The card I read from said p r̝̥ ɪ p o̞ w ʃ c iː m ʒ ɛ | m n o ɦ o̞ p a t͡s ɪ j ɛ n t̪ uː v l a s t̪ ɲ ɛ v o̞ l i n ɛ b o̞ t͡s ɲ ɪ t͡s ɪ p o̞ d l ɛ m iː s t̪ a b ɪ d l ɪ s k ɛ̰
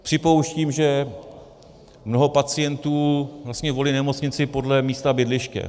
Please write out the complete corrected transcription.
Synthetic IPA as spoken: p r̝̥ ɪ p o̞ w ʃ c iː m ʒ ɛ | m n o ɦ o̞ p a t͡s ɪ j ɛ n t̪ uː v l a s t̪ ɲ ɛ v o̞ l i n ɛ m o̞ t͡s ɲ ɪ t͡s ɪ p o̞ d l ɛ m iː s t̪ a b ɪ d l ɪ ʃ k ɛ̰